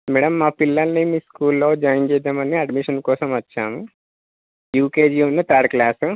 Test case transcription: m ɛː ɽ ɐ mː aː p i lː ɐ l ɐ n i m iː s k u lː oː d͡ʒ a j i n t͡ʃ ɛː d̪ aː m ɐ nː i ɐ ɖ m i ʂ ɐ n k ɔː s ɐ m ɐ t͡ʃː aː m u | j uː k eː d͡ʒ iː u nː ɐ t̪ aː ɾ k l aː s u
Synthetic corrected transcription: m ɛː ɽ ɐ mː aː p i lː ɐ l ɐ n i m iː s k uː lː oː d͡ʒ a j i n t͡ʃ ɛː d̪ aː m ɐ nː i ɐ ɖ m i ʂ ɐ n k ɔː s ɐ m ɐ t͡ʃː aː m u | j uː k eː d͡ʒ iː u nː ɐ t̪ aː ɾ k l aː s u